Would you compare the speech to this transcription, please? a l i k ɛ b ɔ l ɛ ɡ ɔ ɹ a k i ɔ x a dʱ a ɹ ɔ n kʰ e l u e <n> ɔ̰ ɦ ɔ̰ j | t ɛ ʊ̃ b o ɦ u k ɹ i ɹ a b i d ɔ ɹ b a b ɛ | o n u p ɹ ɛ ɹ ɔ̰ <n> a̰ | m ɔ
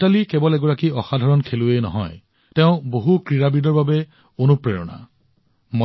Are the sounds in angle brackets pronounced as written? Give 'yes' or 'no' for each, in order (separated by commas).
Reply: yes, yes